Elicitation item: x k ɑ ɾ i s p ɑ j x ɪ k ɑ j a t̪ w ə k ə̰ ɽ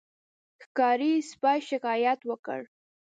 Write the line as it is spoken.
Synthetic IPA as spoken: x k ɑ ɾ i s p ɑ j ʃ ɪ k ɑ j a t̪ w ə k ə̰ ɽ